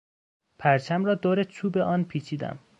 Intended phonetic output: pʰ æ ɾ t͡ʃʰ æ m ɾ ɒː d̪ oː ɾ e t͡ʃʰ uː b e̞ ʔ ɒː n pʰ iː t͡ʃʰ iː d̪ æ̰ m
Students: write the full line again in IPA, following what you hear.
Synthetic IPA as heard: pʰ æ ɾ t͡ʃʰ æ m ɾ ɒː d̪ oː ɾ e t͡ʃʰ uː b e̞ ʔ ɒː n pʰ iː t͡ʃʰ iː d̪ æ̰ m